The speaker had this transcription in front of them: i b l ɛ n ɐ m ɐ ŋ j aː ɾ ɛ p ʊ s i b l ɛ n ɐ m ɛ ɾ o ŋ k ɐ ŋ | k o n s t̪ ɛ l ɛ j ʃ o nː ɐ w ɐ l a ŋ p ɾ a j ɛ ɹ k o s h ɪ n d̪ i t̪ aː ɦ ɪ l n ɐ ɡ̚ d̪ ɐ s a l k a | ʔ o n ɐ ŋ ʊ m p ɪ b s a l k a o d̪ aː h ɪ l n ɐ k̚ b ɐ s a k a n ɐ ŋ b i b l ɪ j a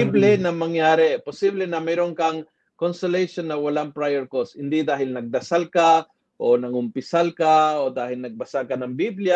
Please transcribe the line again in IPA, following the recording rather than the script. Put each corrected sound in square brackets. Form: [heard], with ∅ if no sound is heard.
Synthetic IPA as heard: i b l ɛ n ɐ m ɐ ŋ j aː ɾ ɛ p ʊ s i b l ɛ n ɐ m ɛ ɾ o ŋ k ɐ ŋ | k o n s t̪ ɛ l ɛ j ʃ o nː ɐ w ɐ l a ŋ p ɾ a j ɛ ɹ k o s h ɪ n d̪ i [d̪] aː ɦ ɪ l n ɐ ɡ̚ d̪ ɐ s a l k a | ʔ o n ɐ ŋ ʊ m p ɪ [∅] s a l k a o d̪ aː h ɪ l n ɐ [ɡ̚] b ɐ s a k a n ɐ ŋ b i b l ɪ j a